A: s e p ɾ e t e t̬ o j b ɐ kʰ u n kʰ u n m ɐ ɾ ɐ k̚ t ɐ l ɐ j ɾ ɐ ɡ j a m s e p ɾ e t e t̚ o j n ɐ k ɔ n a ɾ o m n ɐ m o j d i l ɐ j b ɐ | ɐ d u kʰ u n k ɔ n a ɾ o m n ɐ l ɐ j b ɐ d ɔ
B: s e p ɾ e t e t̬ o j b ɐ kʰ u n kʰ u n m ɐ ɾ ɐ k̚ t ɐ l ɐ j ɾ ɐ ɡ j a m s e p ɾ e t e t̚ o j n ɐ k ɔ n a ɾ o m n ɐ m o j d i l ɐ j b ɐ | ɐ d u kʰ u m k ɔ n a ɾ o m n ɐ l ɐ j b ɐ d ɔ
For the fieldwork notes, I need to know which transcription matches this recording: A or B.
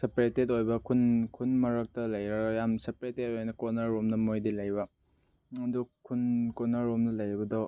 A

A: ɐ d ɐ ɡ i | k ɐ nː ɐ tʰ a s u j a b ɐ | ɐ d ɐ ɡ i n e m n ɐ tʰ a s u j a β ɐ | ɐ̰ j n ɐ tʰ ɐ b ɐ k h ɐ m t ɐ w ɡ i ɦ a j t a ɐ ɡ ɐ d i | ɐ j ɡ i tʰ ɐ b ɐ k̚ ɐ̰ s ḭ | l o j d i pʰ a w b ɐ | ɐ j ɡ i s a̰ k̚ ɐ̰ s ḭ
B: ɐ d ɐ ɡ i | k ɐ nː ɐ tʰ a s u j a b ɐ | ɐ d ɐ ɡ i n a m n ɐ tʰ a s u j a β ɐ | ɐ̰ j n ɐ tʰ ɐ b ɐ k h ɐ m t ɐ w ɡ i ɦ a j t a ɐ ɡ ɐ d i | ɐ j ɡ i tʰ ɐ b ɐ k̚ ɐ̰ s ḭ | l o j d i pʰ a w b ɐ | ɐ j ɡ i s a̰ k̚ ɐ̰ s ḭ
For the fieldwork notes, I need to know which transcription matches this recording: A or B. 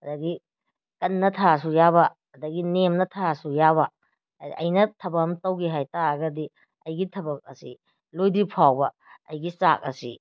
A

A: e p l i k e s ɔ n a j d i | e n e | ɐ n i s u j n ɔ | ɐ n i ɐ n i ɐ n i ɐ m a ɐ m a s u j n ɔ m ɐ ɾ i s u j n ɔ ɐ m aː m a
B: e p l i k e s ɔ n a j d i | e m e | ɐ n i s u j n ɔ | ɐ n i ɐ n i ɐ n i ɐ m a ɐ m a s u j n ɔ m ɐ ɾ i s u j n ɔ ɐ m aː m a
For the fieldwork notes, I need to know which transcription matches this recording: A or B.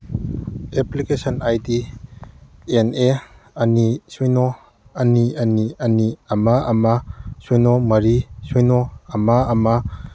A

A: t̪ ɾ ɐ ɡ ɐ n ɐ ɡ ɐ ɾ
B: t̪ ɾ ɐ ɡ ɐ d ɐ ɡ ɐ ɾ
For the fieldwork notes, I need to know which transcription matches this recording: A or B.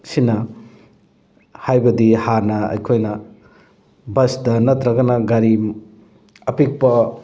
A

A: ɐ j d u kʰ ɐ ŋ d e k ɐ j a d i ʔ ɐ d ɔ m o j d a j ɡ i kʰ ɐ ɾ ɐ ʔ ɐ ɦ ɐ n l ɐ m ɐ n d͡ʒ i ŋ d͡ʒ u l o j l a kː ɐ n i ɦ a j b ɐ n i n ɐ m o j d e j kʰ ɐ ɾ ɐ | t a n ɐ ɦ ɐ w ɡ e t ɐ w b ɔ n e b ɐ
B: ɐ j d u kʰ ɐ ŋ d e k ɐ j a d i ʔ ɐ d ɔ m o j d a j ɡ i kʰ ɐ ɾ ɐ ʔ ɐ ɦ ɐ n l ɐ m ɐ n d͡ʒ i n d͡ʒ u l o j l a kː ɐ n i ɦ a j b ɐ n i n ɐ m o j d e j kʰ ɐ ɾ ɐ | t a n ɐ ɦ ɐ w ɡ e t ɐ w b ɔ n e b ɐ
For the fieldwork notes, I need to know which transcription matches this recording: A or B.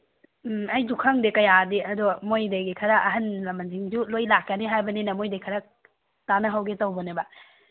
A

